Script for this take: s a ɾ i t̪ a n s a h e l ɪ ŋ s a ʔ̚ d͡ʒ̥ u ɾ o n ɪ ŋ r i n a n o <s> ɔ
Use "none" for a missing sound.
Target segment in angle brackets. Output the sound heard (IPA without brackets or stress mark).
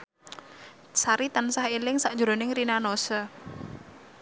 s